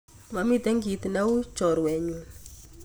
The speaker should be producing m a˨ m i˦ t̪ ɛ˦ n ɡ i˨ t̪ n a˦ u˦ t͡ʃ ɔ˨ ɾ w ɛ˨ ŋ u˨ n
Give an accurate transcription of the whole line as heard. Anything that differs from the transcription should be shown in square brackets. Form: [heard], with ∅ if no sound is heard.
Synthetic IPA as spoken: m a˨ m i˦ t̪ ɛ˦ [ŋ] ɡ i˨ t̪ n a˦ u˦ t͡ʃ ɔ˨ ɾ w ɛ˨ [ɲ] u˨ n